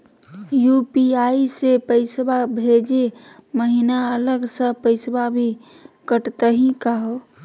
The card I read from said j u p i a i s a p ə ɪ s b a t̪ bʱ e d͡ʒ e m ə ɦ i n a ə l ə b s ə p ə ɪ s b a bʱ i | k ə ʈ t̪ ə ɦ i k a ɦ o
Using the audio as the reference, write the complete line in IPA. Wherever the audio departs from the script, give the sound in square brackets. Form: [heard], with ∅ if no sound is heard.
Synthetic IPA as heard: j u p i a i s [e] p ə ɪ s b a [∅] bʱ e d͡ʒ e m ə ɦ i n a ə l ə [ɡ] s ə p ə ɪ s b a bʱ i | k ə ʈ t̪ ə ɦ i k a ɦ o